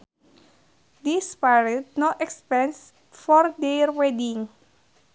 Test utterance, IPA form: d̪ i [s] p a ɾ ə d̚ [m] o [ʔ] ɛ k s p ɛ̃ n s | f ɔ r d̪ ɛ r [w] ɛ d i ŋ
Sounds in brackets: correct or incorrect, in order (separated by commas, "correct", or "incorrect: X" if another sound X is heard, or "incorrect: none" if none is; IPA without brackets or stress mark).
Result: correct, incorrect: n, correct, correct